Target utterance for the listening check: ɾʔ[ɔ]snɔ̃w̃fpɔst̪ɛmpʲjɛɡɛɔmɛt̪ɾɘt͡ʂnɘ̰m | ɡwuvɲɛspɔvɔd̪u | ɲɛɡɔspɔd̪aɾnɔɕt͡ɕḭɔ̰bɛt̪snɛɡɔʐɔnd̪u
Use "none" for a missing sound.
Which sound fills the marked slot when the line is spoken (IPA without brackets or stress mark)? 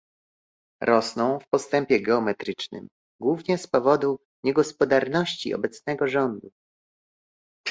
ɔ